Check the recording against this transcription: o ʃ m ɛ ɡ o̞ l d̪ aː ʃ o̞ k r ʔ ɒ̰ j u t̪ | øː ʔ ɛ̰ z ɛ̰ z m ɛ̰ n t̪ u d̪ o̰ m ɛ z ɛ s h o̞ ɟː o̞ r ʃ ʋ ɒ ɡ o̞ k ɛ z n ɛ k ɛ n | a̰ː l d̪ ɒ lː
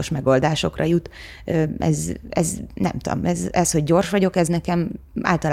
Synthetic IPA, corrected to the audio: o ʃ m ɛ ɡ o̞ l d̪ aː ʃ o̞ k r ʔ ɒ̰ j u t̪ | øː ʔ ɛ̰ z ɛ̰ z n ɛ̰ m t̪ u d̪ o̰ m ɛ z ɛ s h o̞ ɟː o̞ r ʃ ʋ ɒ ɟ o̞ k ɛ z n ɛ k ɛ m | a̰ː l t̪ ɒ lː